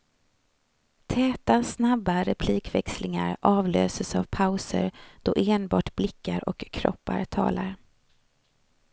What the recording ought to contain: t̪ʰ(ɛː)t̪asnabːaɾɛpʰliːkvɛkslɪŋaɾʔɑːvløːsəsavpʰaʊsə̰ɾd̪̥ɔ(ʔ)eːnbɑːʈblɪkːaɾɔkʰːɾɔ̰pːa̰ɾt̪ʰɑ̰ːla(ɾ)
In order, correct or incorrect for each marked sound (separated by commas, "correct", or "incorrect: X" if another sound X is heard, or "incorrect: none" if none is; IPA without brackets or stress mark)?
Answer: correct, correct, correct